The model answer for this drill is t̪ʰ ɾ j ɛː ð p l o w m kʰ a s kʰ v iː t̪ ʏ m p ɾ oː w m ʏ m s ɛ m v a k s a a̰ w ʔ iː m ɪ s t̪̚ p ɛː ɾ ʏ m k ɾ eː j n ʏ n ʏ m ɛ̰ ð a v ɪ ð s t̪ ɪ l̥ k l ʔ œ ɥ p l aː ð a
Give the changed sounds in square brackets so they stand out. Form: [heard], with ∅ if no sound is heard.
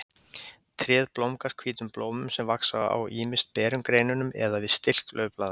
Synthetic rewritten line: t̪ʰ ɾ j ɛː ð p l o w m [k] a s kʰ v iː t̪ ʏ m p [l] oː w m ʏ m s ɛ m v a k s a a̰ w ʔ iː m ɪ s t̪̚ p ɛː ɾ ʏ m k ɾ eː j n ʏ n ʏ m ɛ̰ ð a v ɪ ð s t̪ ɪ l̥ k l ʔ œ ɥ p l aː ð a